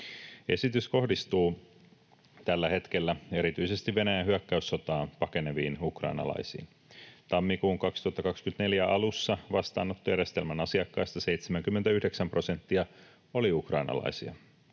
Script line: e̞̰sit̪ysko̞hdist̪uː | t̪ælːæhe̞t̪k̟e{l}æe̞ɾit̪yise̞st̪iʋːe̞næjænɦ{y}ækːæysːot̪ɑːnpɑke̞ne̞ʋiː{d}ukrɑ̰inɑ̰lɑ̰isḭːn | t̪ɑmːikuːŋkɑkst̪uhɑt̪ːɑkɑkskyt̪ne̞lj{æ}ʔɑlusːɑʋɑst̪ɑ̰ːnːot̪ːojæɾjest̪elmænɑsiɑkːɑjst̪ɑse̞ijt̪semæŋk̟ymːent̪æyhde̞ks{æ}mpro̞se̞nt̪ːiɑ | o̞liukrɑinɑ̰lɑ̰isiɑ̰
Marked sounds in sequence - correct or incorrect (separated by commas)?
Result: incorrect, correct, incorrect, correct, correct